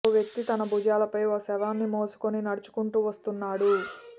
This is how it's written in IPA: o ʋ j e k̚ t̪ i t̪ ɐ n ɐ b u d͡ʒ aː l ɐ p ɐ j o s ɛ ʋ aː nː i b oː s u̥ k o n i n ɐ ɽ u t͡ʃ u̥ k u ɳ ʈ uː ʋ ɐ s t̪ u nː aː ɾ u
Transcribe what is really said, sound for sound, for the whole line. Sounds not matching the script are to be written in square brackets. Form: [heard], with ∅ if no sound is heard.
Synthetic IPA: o ʋ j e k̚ t̪ i t̪ ɐ n ɐ b u d͡ʒ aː l ɐ p ɐ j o s ɛ ʋ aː nː i [m] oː s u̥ k o n i n ɐ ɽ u t͡ʃ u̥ k u ɳ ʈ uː ʋ ɐ s t̪ u nː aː [ɽ] u